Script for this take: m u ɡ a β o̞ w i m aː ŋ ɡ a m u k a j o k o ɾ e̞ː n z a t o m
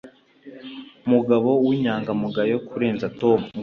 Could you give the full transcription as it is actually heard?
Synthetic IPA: m u ɡ a β o̞ w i ɲ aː ŋ ɡ a m u ɡ a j o k u ɾ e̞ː n z a t o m